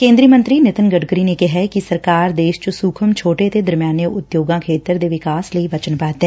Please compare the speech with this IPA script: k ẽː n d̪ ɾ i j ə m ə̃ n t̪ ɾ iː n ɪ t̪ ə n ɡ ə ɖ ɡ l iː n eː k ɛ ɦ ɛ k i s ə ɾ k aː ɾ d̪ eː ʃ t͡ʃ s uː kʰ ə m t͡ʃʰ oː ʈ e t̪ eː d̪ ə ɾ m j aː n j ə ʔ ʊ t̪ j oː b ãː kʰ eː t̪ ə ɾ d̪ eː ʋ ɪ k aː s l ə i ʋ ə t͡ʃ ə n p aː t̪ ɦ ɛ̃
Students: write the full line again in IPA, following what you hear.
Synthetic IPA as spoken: k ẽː n d̪ ɾ i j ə m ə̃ n t̪ ɾ iː n ɪ t̪ ə n ɡ ə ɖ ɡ ɾ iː n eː k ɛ ɦ ɛ k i s ə ɾ k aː ɾ d̪ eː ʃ t͡ʃ s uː kʰ ə m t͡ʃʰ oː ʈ e t̪ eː d̪ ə ɾ m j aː n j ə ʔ ʊ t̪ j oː ɡ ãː kʰ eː t̪ ə ɾ d̪ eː ʋ ɪ k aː s l ə i ʋ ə t͡ʃ ə n p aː t̪ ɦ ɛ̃